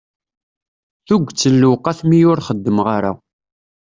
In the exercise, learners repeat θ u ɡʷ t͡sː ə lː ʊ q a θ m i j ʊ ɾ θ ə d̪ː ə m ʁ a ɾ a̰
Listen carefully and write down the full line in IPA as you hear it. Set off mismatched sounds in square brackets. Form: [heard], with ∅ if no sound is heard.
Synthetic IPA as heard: θ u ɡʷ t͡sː ə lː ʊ q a θ m i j ʊ ɾ [χ] ə d̪ː ə m ʁ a ɾ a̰